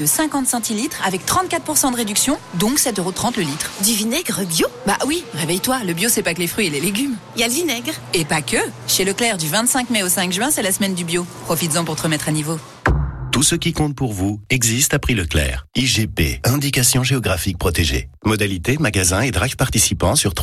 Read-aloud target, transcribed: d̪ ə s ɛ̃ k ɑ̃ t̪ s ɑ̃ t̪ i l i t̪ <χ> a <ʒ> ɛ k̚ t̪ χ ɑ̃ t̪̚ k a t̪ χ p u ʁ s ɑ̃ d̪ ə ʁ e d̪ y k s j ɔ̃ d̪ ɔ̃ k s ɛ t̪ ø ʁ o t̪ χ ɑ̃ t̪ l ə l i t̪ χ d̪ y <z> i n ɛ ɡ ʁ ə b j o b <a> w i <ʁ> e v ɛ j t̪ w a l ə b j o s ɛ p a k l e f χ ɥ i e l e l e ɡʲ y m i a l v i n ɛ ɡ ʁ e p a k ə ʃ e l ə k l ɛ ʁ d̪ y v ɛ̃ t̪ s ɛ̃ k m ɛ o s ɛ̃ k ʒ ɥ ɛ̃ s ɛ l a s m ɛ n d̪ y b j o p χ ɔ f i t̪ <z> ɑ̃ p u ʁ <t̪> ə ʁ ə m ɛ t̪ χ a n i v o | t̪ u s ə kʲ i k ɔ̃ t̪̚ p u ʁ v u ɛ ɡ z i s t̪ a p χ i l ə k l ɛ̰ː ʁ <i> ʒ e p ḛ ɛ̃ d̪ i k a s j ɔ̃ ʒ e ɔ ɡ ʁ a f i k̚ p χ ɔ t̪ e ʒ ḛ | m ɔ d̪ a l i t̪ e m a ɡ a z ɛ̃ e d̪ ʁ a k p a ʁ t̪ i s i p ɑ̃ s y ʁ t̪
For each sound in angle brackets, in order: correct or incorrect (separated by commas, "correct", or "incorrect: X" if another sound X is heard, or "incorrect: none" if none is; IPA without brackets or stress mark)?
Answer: correct, incorrect: v, incorrect: v, correct, correct, correct, correct, correct